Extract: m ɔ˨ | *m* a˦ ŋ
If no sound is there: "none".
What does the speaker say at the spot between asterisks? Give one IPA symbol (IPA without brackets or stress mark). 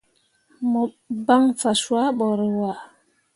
b